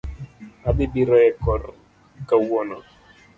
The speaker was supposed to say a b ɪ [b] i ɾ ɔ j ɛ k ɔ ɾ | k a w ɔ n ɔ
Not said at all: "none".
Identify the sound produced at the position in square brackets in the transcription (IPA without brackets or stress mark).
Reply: b